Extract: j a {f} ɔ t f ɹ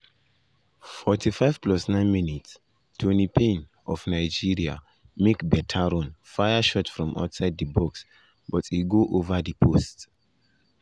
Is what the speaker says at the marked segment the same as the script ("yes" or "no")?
no